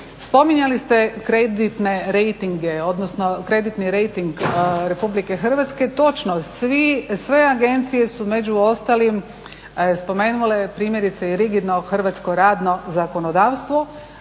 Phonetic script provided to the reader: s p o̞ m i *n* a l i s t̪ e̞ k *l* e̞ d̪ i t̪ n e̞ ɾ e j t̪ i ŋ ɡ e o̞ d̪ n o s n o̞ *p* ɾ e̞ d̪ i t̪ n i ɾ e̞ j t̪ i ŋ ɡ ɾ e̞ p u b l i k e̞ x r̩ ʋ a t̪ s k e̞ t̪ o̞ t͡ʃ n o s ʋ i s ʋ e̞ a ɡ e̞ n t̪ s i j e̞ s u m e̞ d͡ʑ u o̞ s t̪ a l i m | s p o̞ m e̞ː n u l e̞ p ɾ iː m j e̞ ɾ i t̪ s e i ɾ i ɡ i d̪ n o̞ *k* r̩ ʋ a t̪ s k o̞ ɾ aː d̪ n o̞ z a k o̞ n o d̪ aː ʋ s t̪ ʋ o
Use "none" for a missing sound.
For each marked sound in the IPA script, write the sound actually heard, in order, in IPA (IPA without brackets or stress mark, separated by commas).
ɲ, ɾ, k, x